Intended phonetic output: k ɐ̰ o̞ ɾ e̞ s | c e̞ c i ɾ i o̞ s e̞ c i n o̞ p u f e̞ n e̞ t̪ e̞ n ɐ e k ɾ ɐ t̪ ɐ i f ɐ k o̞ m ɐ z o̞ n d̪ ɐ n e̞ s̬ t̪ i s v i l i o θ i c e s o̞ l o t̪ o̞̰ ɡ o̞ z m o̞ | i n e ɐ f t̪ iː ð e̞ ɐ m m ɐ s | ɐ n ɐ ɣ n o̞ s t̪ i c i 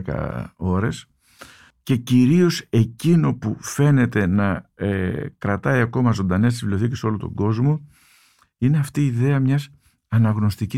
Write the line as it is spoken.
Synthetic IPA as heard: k ɐ̰ o̞ ɾ e̞ s | c e̞ c i ɾ i o̞ s e̞ c i n o̞ p u f e̞ n e̞ t̪ e̞ n ɐ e k ɾ ɐ t̪ ɐ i ɐ k o̞ m ɐ z o̞ n d̪ ɐ n e̞ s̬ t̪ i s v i l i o θ i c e s o̞ l o t̪ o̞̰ ɡ o̞ z m o̞ | i n e ɐ f t̪ iː ð e̞ ɐ m ɲ ɐ s | ɐ n ɐ ɣ n o̞ s t̪ i c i